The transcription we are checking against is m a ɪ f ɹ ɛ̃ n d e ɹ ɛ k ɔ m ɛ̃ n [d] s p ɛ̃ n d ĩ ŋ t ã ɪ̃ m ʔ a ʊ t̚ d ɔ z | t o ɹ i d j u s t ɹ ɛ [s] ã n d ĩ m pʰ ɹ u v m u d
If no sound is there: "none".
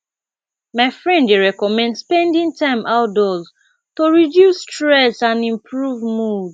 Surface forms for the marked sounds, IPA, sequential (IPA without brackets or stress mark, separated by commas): d, s